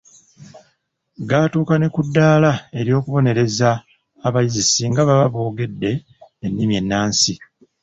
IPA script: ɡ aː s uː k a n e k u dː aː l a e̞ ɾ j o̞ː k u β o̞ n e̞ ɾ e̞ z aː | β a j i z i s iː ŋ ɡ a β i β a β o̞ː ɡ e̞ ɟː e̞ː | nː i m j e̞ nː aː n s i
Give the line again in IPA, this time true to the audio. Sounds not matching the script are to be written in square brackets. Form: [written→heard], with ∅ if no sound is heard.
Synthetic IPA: ɡ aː [s→t] uː k a n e k u dː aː l a e̞ ɾ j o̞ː k u β o̞ n e̞ ɾ e̞ z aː | β a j i z i s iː ŋ ɡ a β [i→a] β a β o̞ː ɡ e̞ [ɟː→dː] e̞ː | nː i m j e̞ nː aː n s i